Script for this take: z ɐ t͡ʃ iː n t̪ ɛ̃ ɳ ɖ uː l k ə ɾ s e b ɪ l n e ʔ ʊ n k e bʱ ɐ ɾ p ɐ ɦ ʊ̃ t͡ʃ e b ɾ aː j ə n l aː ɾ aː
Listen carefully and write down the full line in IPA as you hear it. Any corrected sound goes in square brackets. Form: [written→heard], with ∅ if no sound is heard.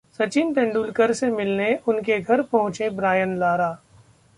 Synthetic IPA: [z→s] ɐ t͡ʃ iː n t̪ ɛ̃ ɳ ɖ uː l k ə ɾ s e [b→m] ɪ l n e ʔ ʊ n k e [bʱ→ɡʱ] ɐ ɾ p ɐ ɦ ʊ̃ t͡ʃ e b ɾ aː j ə n l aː ɾ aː

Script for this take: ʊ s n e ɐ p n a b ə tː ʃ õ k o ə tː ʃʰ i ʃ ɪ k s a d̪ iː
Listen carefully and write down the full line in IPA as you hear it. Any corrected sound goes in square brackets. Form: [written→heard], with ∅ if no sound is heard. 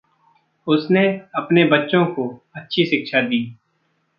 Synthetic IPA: ʊ s n e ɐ p n [a→e] b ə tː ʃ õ k o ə tː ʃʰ i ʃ ɪ k [s→ʃ] a d̪ iː

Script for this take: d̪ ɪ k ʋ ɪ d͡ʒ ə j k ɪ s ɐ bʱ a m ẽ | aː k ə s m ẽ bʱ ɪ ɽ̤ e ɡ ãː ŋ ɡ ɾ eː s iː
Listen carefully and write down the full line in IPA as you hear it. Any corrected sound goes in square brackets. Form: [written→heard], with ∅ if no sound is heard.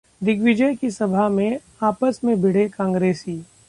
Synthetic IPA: d̪ ɪ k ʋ ɪ d͡ʒ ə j k [ɪ→i] s ɐ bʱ a m ẽ | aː [k→p] ə s m ẽ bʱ ɪ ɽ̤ e [ɡ→k] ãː ŋ ɡ ɾ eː s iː

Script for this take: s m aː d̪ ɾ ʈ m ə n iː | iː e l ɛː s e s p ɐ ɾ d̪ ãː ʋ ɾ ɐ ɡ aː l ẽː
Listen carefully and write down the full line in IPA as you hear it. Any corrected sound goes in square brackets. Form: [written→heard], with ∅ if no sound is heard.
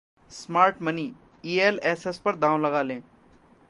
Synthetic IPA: s m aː [d̪→∅] ɾ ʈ m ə n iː | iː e l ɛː s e s p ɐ ɾ d̪ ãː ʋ [ɾ→l] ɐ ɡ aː l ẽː

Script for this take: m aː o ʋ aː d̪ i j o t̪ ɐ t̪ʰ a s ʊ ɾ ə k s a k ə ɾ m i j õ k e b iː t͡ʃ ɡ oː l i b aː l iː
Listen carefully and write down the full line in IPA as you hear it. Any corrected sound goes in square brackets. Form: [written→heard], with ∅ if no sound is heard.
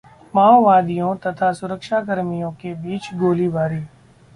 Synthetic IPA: m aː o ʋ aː d̪ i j [o→õ] t̪ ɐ t̪ʰ a s ʊ ɾ ə k [s→ʃ] a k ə ɾ m i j õ k e b iː t͡ʃ ɡ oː l i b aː [l→ɾ] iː

